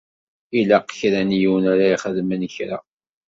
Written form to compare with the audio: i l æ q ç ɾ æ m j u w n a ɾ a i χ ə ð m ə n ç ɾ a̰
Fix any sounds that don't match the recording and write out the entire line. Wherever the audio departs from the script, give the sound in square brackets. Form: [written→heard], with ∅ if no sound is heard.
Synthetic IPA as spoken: i l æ q ç ɾ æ [m→n] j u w n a ɾ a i χ ə ð m ə n ç ɾ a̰